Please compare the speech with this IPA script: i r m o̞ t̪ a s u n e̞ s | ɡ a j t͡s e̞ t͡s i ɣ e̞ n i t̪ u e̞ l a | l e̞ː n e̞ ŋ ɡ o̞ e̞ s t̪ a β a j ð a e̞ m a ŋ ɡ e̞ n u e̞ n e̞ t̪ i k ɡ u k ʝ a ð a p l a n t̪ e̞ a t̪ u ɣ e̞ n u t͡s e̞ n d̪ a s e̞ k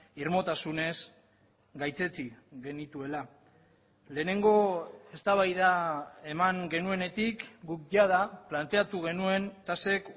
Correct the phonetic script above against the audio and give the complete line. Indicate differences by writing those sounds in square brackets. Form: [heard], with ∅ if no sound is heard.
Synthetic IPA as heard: i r m o̞ t̪ a s u n e̞ s | ɡ a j t͡s e̞ t͡s i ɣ e̞ n i t̪ u e̞ l a | l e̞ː n e̞ ŋ ɡ o̞ e̞ s t̪ a β a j ð a e̞ m a ŋ ɡ e̞ n u e̞ n e̞ t̪ i k ɡ u k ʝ a ð a p l a n t̪ e̞ a t̪ u ɣ e̞ n u [∅] e̞ n [t̪] a s e̞ k